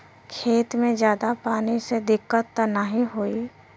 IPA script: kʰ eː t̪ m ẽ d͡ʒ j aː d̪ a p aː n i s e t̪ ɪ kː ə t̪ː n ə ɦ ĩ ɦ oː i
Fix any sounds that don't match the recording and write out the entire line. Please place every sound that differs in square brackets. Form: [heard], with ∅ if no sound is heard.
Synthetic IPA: kʰ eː t̪ m ẽ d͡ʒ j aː d̪ a p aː n i s e [d̪] ɪ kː ə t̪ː n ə ɦ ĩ ɦ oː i